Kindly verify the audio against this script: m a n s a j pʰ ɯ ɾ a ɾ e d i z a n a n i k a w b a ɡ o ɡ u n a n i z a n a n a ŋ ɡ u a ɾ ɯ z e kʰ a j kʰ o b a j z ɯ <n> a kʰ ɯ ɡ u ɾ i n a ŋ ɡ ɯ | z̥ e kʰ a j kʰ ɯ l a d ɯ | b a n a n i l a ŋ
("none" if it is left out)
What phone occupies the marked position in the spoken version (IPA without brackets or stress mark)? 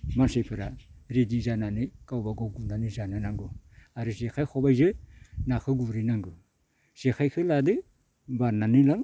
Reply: n